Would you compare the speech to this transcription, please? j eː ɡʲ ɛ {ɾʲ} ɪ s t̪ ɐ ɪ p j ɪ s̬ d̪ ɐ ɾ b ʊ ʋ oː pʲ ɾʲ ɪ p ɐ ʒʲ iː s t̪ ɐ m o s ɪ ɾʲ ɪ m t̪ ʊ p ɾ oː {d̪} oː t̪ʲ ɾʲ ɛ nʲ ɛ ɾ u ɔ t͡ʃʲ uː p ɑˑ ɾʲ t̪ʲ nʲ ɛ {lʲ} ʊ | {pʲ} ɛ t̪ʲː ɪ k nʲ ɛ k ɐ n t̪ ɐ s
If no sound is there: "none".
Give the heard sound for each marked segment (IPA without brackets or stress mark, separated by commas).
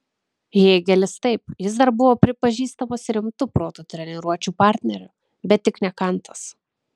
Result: lʲ, t̪, ɾʲ, bʲ